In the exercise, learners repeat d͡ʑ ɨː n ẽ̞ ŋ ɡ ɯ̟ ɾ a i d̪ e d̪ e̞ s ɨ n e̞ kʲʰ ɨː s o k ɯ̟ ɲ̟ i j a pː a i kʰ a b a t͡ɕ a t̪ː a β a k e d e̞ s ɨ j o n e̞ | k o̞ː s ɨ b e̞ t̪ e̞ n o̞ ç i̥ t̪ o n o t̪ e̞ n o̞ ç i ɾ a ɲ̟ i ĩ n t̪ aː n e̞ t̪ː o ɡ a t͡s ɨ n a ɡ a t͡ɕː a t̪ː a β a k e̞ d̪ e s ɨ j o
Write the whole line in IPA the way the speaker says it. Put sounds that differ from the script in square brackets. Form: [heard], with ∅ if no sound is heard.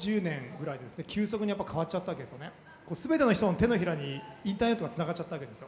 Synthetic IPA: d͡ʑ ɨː n ẽ̞ ŋ ɡ ɯ̟ ɾ a i d̪ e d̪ e̞ s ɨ n e̞ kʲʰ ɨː s o k ɯ̟ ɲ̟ i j a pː a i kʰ a [β] a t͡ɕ a t̪ː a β a k e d e̞ s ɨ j o n e̞ | k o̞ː s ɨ b e̞ t̪ e̞ n o̞ ç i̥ t̪ o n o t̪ e̞ n o̞ ç i ɾ a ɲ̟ i ĩ n t̪ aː n e̞ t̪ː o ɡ a t͡s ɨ n a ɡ a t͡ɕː a t̪ː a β a k e̞ d̪ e s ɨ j o